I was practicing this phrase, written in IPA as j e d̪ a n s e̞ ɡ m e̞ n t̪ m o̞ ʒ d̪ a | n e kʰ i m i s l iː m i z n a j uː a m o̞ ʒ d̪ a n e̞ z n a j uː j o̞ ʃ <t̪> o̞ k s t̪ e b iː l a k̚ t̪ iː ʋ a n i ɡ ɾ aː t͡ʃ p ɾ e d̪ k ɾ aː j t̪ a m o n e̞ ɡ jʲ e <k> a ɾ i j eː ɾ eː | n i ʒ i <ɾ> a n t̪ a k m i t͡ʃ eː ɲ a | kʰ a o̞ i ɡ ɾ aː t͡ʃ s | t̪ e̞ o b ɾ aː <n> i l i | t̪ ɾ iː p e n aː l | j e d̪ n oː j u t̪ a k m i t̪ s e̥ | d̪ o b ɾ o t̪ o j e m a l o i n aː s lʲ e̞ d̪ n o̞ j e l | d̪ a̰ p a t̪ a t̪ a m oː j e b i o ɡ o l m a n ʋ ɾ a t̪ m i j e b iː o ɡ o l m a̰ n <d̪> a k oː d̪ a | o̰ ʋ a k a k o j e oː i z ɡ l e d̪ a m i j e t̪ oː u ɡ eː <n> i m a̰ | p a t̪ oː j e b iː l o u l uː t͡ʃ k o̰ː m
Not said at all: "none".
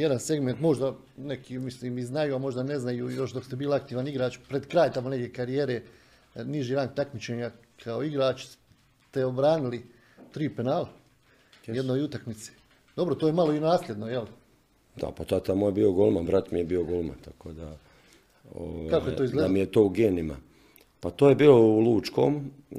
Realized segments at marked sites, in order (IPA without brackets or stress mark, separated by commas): d̪, k, ɾ, n, t̪, n